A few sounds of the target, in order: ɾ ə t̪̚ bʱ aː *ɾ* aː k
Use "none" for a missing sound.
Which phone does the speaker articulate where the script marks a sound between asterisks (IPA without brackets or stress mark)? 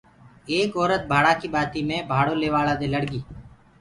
ɽ